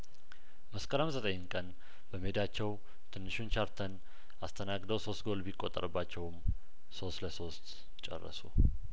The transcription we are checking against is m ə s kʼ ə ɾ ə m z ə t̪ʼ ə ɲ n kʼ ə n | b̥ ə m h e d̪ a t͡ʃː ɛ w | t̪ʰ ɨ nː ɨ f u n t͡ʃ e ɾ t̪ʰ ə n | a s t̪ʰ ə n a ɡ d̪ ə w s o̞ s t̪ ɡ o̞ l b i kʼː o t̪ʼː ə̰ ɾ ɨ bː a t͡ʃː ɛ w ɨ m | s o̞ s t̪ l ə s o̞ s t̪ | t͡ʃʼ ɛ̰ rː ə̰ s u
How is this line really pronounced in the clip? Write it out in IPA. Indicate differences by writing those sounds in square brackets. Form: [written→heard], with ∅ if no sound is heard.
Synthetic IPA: m ə s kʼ ə ɾ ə m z ə t̪ʼ ə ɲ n kʼ ə n | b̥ ə m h e d̪ a t͡ʃː ɛ w | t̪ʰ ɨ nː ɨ [f→ʃ] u n t͡ʃ [e→a] ɾ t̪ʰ ə n | a s t̪ʰ ə n a ɡ d̪ ə w s o̞ s t̪ ɡ o̞ l b i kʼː o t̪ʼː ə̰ ɾ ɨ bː a t͡ʃː ɛ w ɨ m | s o̞ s t̪ l ə s o̞ s t̪ | t͡ʃʼ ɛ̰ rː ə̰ s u